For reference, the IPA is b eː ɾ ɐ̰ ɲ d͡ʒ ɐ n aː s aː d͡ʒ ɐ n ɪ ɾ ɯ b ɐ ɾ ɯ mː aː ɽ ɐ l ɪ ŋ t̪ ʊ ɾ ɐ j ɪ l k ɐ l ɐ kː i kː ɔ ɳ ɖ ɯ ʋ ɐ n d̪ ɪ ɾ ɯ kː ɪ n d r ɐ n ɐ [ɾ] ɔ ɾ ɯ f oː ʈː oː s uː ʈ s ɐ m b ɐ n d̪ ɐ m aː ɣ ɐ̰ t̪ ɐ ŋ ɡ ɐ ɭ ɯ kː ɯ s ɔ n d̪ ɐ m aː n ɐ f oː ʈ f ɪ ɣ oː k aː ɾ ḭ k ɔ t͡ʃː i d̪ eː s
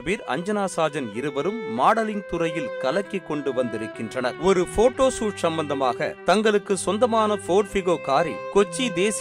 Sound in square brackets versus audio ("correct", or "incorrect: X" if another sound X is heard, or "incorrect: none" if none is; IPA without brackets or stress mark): correct